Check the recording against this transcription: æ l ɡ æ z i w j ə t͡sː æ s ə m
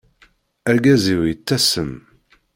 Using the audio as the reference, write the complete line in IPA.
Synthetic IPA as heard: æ ɾ ɡ æ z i w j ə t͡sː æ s ə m